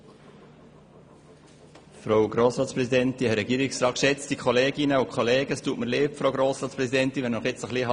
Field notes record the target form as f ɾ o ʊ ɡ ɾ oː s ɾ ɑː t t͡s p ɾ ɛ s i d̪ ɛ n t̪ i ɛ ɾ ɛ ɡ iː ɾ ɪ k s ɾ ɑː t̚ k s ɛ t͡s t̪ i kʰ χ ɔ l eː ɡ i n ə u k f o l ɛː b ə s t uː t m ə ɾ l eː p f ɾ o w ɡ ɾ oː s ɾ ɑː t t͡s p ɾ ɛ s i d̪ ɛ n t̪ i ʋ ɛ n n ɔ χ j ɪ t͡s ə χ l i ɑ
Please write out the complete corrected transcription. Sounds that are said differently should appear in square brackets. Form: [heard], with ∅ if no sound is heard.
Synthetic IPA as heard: f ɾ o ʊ ɡ ɾ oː s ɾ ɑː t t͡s p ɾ ɛ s i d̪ ɛ n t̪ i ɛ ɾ ɛ ɡ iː ɾ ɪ k s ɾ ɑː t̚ k [ʃ] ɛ t͡s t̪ i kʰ χ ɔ l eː ɡ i n ə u k [χ] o l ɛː [ɡ] ə s t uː t m ə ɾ l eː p f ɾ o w ɡ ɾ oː s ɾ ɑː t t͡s p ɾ ɛ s i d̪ ɛ n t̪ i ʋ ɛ n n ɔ χ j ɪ t͡s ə χ l i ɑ